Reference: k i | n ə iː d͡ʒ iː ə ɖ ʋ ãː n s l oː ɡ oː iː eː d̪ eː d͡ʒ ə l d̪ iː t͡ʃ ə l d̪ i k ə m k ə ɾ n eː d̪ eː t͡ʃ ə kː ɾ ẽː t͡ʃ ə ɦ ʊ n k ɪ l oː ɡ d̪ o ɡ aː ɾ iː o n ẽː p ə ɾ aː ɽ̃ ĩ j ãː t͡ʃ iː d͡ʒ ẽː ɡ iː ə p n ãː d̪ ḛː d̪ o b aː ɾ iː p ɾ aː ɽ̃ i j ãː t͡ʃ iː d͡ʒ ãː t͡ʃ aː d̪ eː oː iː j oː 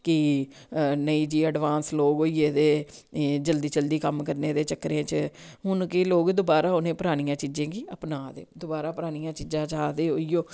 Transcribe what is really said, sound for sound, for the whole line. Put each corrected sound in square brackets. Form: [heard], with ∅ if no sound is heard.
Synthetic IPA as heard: k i | n ə iː d͡ʒ iː ə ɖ ʋ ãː n s l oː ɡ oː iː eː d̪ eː d͡ʒ ə l d̪ iː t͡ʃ ə l d̪ [iː] k ə m k ə ɾ n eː d̪ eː t͡ʃ ə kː ɾ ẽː t͡ʃ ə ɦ ʊ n k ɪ l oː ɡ d̪ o [b] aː ɾ [aː] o n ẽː p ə ɾ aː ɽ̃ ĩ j ãː t͡ʃ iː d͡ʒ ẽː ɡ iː ə p n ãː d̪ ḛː d̪ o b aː ɾ [aː] p ɾ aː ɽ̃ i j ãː t͡ʃ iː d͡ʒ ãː t͡ʃ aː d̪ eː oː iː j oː